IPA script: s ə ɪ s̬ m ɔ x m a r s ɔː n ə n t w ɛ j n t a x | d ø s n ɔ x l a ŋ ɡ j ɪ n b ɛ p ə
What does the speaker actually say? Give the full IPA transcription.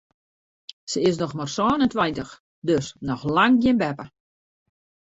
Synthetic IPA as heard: s ə ɪ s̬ n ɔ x m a r s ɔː n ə n t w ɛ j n t ə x | d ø s n ɔ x l a ŋ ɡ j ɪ n b ɛ p ə